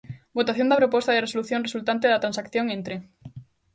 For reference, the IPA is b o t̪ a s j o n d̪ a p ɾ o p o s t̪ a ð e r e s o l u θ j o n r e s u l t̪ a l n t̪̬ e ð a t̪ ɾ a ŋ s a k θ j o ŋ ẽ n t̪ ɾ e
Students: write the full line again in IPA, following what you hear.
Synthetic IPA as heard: b o t̪ a θ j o n d̪ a p ɾ o p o s t̪ a ð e r e s o l u θ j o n r e s u l t̪ a n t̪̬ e ð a t̪ ɾ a n s a k θ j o ŋ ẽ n t̪ ɾ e

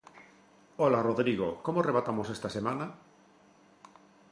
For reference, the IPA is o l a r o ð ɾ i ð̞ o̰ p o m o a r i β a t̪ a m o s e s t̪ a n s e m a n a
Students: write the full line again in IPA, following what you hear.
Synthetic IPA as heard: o l a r o ð ɾ i ɣ̞ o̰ k o m o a r e β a t̪ a m o s e s t̪ a s e m a n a

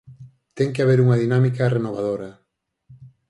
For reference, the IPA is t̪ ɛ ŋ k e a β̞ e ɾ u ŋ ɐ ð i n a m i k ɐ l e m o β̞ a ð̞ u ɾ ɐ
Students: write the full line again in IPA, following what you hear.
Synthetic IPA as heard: t̪ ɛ ŋ k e a β̞ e ɾ u ŋ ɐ ð i n a m i k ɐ r e n o β̞ a ð̞ o ɾ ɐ

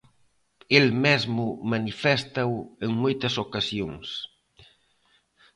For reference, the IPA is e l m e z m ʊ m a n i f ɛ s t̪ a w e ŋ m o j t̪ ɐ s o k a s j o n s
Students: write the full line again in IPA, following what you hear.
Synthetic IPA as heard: e l m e z m ʊ m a n i f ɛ s t̪ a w e ŋ m o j t̪ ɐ s o k a s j o ŋ s

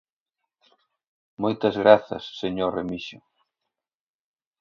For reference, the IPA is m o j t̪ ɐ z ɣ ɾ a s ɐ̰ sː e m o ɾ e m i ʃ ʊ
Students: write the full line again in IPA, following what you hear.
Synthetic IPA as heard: m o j t̪ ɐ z ɣ ɾ a θ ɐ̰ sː e ɲ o r e m i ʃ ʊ

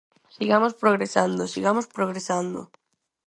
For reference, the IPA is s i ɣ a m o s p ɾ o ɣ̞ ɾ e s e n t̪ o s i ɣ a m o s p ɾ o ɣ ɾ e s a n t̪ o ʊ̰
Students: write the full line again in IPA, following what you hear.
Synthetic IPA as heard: s i ɣ a m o s p ɾ o ɣ̞ ɾ e s a n d̪ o s i ɣ a m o s p ɾ o ɣ ɾ e s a n d̪ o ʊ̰

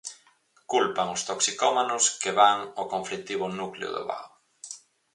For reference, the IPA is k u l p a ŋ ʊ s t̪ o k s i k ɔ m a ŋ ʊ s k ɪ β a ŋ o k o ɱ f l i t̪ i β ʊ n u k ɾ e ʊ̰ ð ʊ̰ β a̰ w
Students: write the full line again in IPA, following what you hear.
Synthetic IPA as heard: k u l p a ŋ ʊ s t̪ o k s i k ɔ m a n ʊ s k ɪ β a ŋ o k o ɱ f l i t̪ i β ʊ n u k l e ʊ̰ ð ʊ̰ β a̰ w

